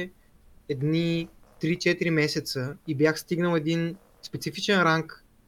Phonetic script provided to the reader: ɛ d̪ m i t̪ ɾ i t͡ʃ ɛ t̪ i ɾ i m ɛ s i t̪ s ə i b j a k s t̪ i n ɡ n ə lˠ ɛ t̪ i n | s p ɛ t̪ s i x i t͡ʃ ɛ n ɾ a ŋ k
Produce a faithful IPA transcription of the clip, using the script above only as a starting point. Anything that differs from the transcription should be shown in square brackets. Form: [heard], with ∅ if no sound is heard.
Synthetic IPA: ɛ d̪ [n] i t̪ ɾ i t͡ʃ ɛ t̪ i ɾ i m ɛ s [ɛ] t̪ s ə i b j a [x] s t̪ i [∅] ɡ n ə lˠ ɛ [d̪] i n | s p ɛ t̪ s i [f] i t͡ʃ ɛ n ɾ a ŋ k